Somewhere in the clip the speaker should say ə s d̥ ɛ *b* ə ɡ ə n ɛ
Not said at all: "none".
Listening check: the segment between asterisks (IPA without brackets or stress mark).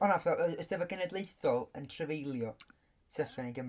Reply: v